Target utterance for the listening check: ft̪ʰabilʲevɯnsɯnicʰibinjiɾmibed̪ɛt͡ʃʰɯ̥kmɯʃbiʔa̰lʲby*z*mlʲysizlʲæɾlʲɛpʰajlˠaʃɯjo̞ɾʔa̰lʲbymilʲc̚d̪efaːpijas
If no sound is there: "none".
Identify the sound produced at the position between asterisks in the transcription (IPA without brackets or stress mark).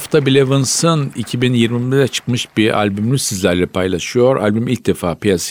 none